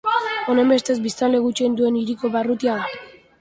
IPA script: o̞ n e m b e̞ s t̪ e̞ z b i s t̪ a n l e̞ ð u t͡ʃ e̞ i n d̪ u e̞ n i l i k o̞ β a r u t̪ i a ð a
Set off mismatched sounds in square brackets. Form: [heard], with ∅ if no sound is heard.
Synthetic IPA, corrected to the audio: o̞ n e m b e̞ s t̪ e̞ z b i s t̪ a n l e̞ [ɣ] u t͡ʃ e̞ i n d̪ u e̞ n i [ɾ] i k o̞ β a r u t̪ i a ð a